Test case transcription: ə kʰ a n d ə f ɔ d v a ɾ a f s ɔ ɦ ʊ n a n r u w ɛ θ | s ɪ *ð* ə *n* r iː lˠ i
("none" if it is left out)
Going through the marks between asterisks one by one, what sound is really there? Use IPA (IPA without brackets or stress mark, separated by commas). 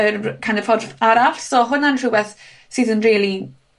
ð, n